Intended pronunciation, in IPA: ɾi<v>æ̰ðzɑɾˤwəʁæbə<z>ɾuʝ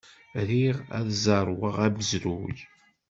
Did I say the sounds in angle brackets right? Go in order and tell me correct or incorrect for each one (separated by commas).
incorrect, correct